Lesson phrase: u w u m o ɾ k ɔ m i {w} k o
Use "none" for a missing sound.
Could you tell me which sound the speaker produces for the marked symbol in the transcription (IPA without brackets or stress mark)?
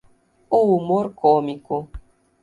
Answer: none